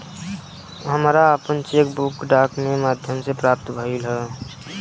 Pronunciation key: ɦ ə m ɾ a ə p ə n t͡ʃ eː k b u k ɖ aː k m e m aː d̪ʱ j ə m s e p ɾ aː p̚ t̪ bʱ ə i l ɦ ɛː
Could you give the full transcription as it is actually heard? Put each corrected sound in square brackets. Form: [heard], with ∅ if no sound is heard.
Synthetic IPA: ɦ ə m ɾ a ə p ə n t͡ʃ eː k b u k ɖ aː k m e m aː d̪ʱ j ə m s e p ɾ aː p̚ t̪ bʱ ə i l ɦ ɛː